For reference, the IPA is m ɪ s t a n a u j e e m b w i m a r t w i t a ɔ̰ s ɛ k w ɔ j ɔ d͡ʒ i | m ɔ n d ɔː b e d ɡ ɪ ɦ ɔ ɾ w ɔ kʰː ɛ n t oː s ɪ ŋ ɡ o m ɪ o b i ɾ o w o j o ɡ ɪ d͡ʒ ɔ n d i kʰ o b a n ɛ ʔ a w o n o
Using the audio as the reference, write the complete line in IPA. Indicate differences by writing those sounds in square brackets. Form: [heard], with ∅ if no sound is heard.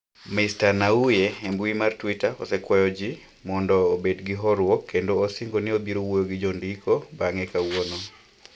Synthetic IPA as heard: m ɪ s t a n a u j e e m b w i m a r t w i t a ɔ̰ s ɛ k w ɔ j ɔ d͡ʒ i | m ɔ n d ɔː b e d ɡ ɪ ɦ ɔ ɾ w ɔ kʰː [e] n [d] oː s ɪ ŋ ɡ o [n] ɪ o b i ɾ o w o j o ɡ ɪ d͡ʒ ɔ n d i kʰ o b a [ŋ] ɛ [k] a w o n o